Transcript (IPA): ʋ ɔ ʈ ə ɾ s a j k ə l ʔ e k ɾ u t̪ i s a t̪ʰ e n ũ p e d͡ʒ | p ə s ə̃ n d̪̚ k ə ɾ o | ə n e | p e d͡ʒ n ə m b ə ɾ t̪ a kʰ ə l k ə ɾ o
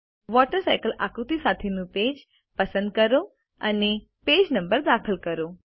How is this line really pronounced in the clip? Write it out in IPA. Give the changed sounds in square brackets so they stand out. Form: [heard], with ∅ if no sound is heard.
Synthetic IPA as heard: ʋ ɔ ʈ ə ɾ s a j k ə l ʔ [a] k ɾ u t̪ i s a t̪ʰ e n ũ p e d͡ʒ | p ə s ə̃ n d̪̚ k ə ɾ o | ə n e | p e d͡ʒ n ə m b ə ɾ [d̪] a kʰ ə l k ə ɾ o